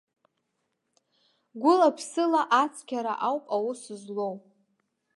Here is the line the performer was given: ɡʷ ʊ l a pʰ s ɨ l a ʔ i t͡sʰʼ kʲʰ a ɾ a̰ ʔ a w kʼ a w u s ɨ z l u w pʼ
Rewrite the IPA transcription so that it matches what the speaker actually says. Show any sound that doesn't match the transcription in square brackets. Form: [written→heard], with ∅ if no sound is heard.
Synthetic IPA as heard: ɡʷ ʊ l a pʰ s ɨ l a ʔ [i→a] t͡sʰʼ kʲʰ a ɾ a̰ ʔ a w [kʼ→pʼ] a w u s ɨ z l [u→o] w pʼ